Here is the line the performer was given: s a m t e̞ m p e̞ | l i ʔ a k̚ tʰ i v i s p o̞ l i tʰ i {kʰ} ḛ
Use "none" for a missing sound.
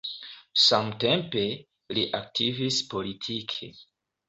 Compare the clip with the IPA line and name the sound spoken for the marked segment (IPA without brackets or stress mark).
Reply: kʰ